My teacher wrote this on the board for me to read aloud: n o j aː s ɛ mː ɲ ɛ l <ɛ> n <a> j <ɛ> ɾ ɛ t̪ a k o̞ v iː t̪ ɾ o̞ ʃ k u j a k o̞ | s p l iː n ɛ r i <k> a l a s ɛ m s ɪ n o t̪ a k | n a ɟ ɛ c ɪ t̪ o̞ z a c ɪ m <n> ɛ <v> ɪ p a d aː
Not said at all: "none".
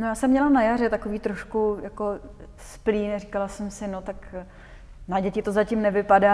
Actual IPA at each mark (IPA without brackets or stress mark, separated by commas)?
a, a, a, k, n, v